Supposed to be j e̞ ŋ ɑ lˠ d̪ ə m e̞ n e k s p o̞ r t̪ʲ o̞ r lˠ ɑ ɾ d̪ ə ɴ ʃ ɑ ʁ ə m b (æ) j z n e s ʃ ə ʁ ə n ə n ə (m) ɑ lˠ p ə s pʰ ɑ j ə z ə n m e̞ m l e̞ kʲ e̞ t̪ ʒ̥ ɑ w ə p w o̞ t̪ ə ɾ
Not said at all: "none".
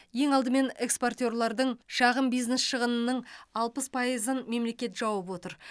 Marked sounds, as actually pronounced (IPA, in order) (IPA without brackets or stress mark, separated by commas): i, ɴ